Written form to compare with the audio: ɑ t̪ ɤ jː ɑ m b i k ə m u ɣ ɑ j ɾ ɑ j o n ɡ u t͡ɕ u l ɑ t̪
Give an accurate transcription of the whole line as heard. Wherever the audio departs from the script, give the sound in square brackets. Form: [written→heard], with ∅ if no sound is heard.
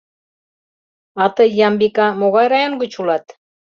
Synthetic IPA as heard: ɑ t̪ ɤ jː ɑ m b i k [ə→ɑ] m [u→o] ɣ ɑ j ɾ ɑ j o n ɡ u t͡ɕ u l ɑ t̪